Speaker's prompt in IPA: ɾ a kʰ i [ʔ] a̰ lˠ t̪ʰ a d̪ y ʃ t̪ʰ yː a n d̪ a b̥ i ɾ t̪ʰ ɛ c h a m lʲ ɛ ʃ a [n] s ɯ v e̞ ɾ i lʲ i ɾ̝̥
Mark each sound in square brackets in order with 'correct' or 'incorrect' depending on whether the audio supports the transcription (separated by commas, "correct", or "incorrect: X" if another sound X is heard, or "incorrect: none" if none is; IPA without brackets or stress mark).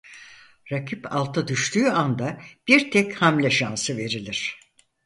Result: incorrect: p, correct